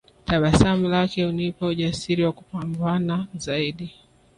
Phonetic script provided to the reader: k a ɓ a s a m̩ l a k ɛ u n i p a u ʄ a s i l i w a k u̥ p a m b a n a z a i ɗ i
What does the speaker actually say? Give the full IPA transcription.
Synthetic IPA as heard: t a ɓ a s a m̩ l a k ɛ u n i p a u ʄ a s i ɾ i w a k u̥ p a m b a n a z a i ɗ i